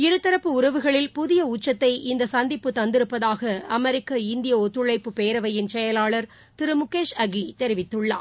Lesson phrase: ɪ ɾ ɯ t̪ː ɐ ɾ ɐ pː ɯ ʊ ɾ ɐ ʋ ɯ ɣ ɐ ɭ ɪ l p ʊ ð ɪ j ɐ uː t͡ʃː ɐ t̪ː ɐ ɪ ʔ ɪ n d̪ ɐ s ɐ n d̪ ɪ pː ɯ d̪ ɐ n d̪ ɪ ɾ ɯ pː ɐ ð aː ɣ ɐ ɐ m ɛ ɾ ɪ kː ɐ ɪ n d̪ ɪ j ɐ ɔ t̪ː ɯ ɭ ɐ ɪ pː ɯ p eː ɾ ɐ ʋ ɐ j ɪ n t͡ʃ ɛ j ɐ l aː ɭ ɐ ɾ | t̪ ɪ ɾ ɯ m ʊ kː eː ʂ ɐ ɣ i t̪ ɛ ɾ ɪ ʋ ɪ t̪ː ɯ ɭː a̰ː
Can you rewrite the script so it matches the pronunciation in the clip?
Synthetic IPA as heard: ɪ ɾ ɯ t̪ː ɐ ɾ ɐ pː ɯ ʊ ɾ ɐ ʋ ɯ ɣ ɐ ɭ ɪ l p ʊ ð ɪ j ɐ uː t͡ʃː ɐ t̪ː ɐ ɪ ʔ ɪ n d̪ ɐ s ɐ n d̪ ɪ pː ɯ t̪ ɐ n d̪ ɪ ɾ ɯ pː ɐ ð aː ɣ ɐ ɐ m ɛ ɾ ɪ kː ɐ ɪ n d̪ ɪ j ɐ ɔ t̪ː ɯ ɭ ɐ ɪ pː ɯ p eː ɾ ɐ ʋ ɐ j ɪ n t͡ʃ ɛ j ɐ l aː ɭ ɐ ɾ | t̪ ɪ ɾ ɯ m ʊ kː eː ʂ ɐ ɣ i t̪ ɛ ɾ ɪ ʋ ɪ t̪ː ɯ ɭː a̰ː

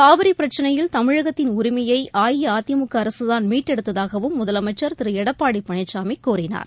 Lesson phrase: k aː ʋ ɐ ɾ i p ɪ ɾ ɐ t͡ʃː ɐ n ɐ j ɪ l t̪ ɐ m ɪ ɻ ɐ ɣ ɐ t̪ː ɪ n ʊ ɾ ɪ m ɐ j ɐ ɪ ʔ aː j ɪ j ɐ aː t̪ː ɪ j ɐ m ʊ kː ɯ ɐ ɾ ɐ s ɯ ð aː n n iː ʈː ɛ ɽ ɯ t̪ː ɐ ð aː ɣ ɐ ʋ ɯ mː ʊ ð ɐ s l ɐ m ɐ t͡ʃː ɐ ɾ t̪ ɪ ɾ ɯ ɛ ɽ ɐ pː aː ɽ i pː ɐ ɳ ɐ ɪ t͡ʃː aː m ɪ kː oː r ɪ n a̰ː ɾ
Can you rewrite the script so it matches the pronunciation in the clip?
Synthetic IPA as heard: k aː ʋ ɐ ɾ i p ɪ ɾ ɐ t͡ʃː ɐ n ɐ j ɪ l t̪ ɐ m ɪ ɻ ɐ ɣ ɐ t̪ː ɪ n ʊ ɾ ɪ m ɐ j ɐ ɪ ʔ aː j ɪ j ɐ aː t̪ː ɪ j ɐ m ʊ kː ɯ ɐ ɾ ɐ s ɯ ð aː n m iː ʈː ɛ ɽ ɯ t̪ː ɐ ð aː ɣ ɐ ʋ ɯ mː ʊ ð ɐ l ɐ m ɐ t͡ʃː ɐ ɾ t̪ ɪ ɾ ɯ ɛ ɽ ɐ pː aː ɽ i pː ɐ ɳ ɐ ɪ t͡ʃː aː m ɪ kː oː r ɪ n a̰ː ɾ

